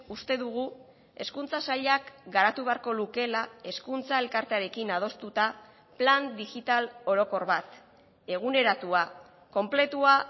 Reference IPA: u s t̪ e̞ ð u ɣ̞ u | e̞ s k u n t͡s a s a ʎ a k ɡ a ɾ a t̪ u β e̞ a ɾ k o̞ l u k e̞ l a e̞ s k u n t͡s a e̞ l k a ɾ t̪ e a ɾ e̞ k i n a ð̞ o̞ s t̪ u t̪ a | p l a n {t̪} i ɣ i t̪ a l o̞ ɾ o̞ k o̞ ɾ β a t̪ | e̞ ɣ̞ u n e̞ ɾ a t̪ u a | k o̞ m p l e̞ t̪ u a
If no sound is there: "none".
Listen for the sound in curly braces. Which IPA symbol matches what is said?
d̪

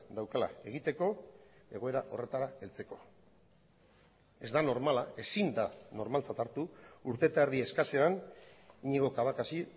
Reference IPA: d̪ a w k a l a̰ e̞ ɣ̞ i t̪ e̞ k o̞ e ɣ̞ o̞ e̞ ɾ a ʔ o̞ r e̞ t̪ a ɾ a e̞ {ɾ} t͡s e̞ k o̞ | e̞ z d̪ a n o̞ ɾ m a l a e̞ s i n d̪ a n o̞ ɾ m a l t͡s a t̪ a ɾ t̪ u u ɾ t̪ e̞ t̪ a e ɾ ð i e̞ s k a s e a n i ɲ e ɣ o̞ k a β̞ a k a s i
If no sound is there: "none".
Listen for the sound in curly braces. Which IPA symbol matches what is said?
l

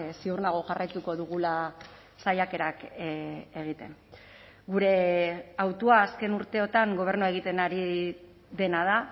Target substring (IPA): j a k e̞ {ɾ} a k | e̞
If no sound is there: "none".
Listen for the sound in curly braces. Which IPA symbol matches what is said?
ɾ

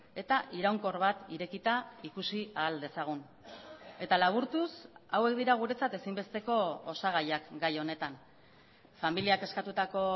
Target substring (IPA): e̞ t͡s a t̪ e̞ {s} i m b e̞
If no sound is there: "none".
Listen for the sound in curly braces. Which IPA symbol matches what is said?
s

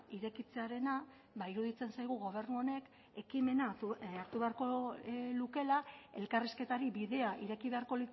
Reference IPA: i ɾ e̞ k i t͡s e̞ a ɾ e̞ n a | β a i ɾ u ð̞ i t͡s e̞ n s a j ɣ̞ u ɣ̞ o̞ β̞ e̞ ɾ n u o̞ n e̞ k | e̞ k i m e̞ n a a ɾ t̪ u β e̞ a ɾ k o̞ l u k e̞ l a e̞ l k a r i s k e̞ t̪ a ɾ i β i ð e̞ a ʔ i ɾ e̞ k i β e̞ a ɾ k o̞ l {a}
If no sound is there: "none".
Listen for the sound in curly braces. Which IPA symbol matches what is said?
i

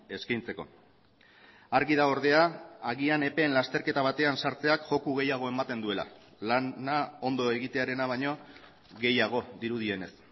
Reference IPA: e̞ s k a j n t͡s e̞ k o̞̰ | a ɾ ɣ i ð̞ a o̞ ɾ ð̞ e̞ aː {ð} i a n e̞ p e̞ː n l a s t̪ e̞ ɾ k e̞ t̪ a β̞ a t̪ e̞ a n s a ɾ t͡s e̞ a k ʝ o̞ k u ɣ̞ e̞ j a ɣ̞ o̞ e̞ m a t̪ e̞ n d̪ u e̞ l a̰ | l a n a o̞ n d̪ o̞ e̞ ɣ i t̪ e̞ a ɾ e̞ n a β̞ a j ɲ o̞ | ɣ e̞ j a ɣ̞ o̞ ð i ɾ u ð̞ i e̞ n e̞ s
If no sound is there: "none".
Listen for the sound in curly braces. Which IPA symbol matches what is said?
ɣ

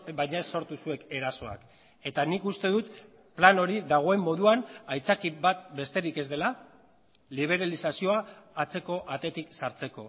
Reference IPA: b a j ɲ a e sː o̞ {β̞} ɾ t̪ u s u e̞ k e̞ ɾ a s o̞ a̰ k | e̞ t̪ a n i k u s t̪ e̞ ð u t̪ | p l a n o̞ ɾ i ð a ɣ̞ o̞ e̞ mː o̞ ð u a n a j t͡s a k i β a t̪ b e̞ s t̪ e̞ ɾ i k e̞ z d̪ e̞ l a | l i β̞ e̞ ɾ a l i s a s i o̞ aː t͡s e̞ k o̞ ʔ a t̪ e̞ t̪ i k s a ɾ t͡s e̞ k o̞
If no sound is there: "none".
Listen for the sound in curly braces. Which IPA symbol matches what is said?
none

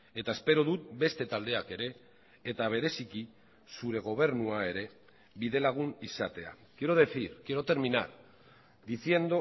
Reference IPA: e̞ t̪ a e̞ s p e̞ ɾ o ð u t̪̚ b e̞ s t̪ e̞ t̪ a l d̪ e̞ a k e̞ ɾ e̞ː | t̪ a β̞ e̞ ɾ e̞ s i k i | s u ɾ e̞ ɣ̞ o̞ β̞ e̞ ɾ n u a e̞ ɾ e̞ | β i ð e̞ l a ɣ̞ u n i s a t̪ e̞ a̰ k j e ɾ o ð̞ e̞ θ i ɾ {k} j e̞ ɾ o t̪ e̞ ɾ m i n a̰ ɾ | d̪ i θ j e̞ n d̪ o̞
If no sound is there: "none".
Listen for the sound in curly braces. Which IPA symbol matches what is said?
k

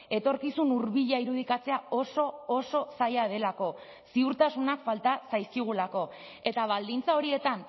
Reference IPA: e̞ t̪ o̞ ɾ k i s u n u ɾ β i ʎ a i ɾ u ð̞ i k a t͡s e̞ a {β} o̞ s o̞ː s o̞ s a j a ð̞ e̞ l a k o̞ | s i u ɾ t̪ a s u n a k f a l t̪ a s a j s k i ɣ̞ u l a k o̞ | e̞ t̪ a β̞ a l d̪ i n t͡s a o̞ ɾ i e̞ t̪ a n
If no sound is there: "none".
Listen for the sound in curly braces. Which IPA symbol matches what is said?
none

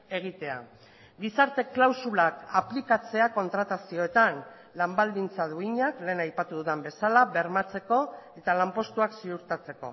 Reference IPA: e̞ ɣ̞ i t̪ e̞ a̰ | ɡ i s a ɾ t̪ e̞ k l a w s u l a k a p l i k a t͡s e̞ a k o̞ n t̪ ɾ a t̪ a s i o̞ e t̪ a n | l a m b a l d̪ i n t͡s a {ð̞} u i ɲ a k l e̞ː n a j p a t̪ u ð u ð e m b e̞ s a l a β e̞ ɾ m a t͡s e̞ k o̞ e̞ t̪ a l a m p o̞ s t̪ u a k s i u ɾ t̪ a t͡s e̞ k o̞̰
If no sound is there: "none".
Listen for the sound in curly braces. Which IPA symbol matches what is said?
ð̞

